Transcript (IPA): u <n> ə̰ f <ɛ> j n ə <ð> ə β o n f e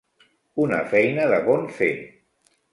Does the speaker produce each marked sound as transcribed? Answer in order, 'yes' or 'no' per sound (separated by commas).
yes, yes, yes